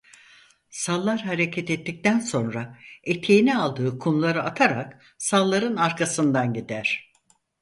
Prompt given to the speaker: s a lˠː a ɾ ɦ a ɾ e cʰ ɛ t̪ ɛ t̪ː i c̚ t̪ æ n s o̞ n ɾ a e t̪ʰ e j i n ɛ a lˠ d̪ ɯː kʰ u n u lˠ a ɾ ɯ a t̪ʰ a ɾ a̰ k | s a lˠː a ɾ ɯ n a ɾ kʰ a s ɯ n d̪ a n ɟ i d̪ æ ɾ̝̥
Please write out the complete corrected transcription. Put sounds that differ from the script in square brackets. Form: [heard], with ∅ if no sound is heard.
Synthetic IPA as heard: s a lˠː a ɾ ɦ a ɾ e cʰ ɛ t̪ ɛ t̪ː i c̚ t̪ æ n s o̞ n ɾ a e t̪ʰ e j i n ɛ a lˠ d̪ ɯː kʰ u n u lˠ a ɾ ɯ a t̪ʰ a ɾ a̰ k | s a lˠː a ɾ ɯ n a ɾ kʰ a s ɯ n d̪ a n ɟ i d̪ æ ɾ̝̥